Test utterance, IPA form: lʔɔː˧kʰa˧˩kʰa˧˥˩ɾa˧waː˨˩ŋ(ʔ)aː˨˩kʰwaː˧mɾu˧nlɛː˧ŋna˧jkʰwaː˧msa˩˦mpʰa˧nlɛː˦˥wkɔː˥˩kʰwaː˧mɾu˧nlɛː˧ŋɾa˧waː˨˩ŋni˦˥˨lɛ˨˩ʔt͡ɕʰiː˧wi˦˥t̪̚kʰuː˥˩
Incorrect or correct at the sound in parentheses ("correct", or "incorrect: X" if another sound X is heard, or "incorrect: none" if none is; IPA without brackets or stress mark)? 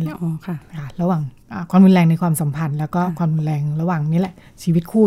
correct